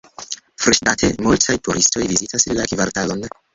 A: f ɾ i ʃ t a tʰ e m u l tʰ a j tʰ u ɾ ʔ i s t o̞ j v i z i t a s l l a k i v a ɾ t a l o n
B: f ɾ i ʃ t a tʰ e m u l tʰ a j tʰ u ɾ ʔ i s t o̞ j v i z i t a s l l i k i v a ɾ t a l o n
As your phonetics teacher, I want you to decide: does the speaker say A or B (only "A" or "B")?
A